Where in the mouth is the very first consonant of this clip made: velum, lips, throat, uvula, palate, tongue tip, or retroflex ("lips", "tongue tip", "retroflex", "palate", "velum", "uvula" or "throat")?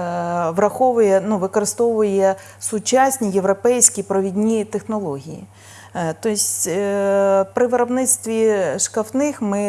lips